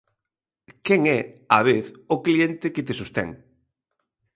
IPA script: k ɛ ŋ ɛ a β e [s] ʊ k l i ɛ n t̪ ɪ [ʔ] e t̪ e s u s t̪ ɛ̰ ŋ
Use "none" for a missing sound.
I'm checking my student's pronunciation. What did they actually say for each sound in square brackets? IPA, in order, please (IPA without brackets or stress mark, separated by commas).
θ, k